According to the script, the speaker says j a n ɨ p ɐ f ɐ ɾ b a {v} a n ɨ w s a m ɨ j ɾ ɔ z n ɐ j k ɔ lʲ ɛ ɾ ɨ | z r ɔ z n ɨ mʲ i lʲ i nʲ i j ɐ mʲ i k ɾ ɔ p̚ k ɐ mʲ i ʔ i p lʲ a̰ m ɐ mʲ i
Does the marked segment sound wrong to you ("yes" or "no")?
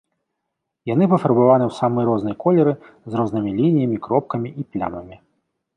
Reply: no